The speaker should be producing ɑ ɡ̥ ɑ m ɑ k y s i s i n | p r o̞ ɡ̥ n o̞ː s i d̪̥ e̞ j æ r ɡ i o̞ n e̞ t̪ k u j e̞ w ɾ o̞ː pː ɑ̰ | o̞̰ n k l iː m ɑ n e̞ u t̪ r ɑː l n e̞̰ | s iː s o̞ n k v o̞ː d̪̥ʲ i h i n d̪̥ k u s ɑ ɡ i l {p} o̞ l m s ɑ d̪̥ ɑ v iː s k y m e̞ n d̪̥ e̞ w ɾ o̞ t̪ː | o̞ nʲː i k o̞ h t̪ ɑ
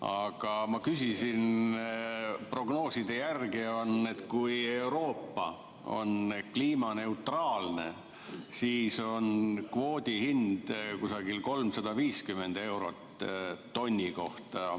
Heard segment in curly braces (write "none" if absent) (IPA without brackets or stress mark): k